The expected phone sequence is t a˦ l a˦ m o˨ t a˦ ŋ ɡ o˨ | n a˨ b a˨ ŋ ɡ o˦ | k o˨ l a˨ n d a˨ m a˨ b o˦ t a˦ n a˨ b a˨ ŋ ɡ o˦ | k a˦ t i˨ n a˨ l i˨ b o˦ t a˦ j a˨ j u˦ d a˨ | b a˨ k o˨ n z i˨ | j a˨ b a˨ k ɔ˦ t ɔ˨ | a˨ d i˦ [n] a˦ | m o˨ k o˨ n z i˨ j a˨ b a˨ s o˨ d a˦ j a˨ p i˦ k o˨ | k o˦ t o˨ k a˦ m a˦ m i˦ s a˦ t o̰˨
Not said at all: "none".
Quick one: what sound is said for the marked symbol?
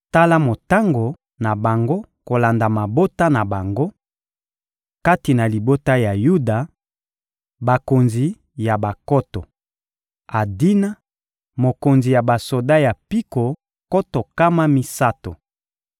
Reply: n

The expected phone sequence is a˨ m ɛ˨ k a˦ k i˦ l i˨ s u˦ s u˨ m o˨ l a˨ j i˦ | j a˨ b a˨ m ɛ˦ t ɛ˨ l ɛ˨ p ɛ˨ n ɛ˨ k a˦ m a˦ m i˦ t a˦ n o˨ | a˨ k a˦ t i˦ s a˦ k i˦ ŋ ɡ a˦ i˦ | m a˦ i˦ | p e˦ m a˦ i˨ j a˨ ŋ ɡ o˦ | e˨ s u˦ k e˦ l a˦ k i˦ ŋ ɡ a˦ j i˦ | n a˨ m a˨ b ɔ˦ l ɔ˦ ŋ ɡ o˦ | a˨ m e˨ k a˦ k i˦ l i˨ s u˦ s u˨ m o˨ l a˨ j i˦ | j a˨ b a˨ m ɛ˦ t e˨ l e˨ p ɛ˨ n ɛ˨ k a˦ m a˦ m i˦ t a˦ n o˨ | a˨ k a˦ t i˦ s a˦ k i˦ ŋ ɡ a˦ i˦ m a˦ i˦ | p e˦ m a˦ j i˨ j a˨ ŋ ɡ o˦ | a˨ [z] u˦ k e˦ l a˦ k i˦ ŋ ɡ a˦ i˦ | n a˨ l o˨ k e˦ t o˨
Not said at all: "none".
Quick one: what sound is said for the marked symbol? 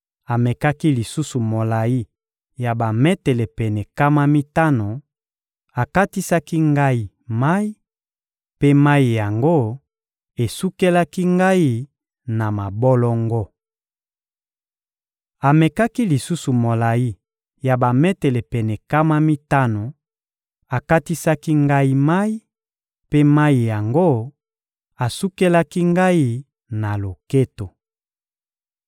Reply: s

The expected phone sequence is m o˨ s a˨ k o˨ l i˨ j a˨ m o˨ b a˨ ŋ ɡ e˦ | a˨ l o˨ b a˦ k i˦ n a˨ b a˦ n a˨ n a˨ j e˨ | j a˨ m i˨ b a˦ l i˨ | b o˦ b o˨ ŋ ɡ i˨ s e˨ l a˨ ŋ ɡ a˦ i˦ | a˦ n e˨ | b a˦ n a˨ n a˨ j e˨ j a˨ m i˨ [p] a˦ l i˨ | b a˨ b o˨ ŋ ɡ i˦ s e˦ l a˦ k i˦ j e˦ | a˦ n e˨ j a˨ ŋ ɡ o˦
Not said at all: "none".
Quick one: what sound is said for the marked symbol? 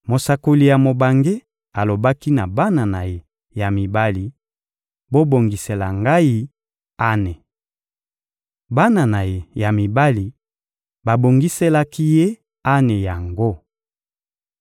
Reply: b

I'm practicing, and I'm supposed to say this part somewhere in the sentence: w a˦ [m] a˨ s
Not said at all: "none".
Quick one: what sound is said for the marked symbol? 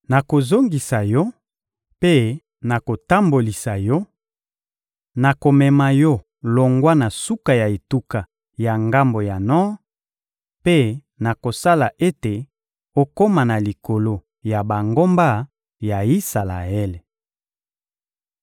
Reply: n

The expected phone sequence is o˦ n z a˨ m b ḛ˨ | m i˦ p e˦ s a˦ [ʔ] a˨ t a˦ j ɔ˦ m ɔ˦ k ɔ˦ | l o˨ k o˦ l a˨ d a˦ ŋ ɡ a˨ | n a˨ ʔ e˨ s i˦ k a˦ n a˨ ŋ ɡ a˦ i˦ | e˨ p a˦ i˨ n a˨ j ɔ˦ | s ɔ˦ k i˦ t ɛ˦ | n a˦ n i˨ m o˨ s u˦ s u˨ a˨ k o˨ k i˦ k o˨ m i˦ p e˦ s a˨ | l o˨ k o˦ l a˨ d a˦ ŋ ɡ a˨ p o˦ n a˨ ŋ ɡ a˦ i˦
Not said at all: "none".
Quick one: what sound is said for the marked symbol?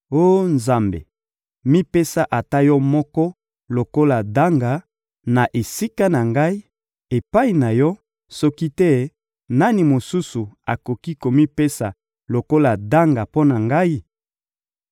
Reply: ʔ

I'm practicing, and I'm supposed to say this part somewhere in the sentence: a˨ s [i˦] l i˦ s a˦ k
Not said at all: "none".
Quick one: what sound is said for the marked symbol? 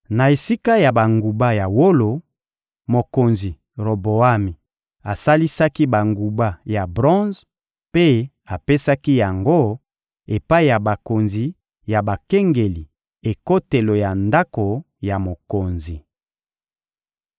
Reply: a˦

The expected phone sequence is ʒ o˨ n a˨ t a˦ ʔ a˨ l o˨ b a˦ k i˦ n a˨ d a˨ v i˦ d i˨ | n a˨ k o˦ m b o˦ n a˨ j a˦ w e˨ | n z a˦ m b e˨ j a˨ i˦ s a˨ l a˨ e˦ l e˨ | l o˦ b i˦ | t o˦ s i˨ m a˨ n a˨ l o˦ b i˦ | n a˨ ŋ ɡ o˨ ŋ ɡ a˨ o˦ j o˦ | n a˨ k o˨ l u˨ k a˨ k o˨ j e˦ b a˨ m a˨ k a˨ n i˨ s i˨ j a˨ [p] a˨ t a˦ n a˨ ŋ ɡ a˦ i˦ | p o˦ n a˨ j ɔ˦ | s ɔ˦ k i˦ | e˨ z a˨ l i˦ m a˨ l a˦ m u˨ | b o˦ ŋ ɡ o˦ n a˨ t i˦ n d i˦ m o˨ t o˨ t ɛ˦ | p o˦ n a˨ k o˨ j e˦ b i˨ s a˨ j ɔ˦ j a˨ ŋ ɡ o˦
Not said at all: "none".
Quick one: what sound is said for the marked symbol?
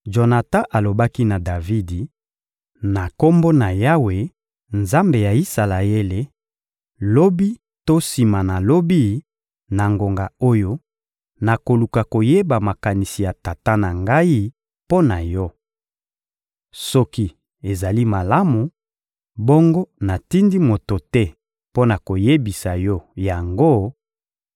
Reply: t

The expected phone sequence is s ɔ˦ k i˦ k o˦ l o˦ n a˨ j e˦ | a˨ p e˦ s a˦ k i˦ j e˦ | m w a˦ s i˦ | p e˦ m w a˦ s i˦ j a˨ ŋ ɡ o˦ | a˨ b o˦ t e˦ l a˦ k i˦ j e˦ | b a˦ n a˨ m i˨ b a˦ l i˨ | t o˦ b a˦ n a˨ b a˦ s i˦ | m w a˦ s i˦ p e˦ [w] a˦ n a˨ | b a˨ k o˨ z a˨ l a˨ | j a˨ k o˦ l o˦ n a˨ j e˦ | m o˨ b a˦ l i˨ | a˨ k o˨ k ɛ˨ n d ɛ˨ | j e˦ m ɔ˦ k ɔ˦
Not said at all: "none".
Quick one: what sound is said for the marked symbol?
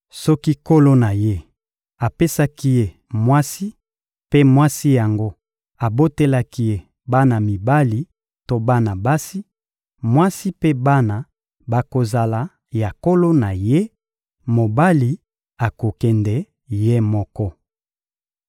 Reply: b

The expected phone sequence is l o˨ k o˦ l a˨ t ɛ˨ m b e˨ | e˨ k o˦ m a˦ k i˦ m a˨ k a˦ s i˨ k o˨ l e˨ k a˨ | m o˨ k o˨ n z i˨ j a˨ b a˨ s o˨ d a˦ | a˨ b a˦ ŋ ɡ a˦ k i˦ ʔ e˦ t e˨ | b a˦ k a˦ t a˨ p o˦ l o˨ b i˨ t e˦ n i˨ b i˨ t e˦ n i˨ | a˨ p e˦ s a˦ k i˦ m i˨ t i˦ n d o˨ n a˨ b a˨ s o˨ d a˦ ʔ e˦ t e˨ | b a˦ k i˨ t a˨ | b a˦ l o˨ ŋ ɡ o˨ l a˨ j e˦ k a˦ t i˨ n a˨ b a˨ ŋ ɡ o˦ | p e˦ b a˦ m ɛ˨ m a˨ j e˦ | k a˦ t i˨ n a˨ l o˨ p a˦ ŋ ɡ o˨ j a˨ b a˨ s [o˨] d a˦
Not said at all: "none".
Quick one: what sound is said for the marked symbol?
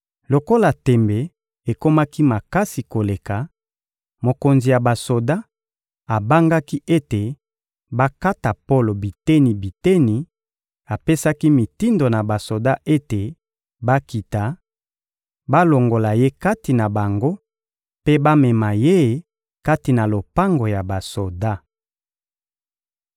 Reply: o˨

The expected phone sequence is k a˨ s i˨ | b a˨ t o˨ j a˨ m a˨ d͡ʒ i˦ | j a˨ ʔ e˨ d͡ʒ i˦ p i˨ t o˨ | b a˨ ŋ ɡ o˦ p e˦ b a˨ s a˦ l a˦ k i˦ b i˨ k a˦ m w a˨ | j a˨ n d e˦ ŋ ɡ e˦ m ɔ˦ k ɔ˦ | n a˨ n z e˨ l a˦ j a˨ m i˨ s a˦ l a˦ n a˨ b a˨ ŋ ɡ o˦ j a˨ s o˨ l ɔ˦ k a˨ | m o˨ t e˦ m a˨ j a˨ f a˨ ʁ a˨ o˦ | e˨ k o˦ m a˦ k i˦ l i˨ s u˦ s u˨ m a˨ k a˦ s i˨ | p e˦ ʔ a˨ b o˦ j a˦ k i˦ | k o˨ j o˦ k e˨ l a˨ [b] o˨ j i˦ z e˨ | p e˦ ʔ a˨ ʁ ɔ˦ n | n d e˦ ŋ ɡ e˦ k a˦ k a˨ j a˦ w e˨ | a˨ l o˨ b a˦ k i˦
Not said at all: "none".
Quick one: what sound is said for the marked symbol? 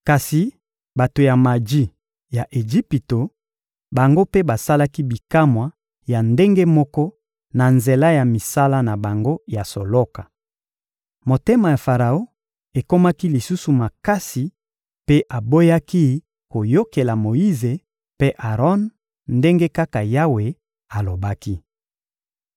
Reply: m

